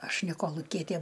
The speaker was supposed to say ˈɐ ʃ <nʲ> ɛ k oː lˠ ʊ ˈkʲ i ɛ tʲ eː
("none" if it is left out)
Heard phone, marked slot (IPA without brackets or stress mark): nʲ